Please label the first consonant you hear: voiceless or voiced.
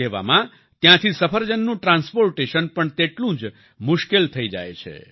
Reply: voiced